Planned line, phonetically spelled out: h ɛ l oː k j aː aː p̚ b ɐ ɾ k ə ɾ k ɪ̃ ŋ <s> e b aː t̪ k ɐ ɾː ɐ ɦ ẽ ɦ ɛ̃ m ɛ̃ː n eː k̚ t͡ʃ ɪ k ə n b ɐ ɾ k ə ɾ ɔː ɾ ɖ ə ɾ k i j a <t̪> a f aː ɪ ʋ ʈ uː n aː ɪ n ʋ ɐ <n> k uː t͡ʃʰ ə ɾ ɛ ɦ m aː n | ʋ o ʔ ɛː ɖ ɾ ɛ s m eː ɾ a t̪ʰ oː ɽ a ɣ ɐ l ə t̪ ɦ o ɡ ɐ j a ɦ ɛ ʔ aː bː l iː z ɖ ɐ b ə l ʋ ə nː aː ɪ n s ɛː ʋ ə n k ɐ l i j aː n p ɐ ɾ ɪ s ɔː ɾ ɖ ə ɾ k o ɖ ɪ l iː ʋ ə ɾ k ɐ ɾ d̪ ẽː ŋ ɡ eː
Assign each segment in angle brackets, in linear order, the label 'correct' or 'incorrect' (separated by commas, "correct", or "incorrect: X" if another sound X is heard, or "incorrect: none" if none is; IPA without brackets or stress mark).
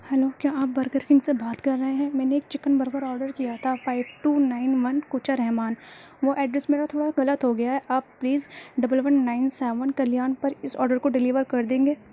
correct, incorrect: t̪ʰ, correct